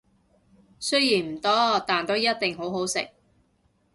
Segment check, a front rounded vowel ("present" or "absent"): absent